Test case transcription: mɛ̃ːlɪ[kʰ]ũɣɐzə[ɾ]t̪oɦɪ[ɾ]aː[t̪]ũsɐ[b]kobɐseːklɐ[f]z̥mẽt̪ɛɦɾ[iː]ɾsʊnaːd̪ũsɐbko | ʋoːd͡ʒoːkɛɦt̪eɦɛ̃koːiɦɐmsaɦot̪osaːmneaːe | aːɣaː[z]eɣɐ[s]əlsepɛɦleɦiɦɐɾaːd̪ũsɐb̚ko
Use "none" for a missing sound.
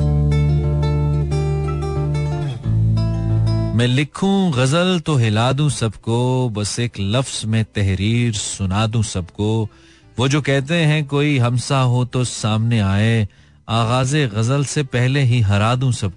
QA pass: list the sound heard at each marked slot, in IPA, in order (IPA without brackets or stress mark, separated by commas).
kʰ, l, l, d̪, b, f, iː, z, z